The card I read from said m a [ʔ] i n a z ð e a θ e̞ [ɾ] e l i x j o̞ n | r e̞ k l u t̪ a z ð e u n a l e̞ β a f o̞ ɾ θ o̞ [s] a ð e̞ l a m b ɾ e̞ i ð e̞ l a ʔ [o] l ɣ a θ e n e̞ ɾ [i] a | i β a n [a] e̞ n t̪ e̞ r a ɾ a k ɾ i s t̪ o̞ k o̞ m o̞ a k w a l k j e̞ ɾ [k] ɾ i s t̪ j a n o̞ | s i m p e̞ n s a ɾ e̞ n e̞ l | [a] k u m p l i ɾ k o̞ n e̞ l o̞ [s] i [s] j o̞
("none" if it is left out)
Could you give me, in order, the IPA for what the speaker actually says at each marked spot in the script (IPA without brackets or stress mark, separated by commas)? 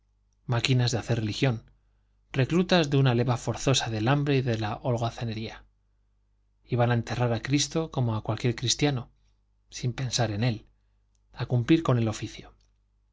k, r, s, o, i, a, k, a, f, θ